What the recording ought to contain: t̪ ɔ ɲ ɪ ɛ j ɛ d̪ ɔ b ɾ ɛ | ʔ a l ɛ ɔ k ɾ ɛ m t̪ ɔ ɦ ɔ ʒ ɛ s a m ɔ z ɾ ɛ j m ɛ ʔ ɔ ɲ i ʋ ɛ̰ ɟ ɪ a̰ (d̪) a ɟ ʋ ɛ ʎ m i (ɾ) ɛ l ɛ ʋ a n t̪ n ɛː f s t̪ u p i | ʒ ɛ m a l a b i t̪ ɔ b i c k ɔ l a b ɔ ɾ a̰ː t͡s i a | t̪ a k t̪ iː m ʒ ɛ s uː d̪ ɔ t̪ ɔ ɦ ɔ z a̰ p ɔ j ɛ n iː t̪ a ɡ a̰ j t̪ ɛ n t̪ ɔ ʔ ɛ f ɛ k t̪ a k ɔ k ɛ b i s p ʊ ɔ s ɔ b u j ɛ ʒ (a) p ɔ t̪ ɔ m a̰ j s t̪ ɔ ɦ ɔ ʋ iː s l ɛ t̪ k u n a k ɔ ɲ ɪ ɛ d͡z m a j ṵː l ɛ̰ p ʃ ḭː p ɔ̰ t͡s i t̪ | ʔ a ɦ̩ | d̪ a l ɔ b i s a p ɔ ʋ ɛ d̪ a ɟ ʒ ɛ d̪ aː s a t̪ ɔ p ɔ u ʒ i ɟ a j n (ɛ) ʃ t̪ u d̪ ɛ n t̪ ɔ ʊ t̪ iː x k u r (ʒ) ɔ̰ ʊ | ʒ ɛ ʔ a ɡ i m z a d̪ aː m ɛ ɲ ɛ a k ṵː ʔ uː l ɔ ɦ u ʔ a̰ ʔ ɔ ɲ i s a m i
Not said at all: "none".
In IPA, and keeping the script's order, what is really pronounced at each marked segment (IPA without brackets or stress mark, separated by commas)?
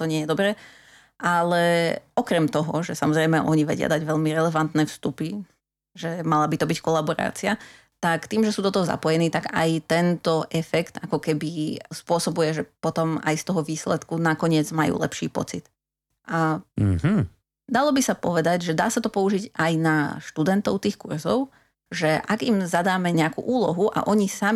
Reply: d̪, ɾ, ɛ, a, z